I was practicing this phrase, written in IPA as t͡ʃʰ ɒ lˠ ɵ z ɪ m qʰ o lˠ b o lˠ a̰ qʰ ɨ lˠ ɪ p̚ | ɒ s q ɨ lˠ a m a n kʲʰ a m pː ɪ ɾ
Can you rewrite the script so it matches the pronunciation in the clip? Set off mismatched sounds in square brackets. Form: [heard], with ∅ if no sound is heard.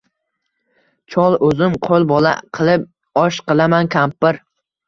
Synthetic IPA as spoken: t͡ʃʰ ɒ lˠ ɵ z ɪ m qʰ o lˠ b [ɒ] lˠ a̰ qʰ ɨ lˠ ɪ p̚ | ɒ [ʃ] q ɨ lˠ a m a n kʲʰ a m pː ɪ ɾ